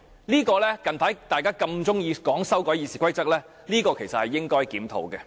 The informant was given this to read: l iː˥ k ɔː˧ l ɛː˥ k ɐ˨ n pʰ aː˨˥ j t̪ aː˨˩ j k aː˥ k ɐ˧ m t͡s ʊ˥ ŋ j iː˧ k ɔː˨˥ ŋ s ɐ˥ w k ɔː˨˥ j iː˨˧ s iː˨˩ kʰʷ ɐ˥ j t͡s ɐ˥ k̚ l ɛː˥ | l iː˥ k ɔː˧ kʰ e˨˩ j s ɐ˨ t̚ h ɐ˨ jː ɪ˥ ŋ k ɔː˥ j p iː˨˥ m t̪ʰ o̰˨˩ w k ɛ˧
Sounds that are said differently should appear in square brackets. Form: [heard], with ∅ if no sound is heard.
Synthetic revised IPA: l iː˥ k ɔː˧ l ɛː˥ k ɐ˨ n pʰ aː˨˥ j t̪ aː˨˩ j k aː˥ k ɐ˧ m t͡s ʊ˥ ŋ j iː˧ k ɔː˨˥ ŋ s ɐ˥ w k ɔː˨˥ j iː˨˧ s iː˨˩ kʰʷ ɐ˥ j t͡s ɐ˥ k̚ l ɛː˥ | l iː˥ k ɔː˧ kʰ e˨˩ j s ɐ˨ t̚ h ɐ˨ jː ɪ˥ ŋ k ɔː˥ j [k] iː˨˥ m t̪ʰ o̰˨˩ w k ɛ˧